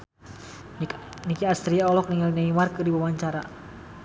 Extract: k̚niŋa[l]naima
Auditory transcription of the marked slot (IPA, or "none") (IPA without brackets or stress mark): l